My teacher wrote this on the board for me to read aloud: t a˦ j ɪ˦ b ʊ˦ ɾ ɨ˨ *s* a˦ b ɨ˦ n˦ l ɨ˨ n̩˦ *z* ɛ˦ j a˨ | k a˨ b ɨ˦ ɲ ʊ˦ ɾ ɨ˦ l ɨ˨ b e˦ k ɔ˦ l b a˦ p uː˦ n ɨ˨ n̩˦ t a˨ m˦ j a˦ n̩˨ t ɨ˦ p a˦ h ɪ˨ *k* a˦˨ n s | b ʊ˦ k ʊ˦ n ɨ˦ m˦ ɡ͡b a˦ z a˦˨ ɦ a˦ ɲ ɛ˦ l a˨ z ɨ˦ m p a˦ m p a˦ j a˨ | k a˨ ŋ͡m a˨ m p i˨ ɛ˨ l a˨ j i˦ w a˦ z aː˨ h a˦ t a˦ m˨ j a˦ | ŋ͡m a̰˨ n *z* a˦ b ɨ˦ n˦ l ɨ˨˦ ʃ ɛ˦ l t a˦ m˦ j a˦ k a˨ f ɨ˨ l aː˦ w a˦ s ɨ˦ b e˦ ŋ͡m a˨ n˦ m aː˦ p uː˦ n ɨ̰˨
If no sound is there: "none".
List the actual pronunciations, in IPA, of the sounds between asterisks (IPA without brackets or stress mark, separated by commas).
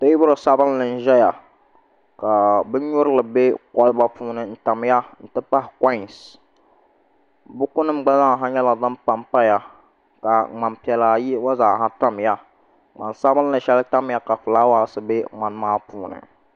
s, ʒ, k, s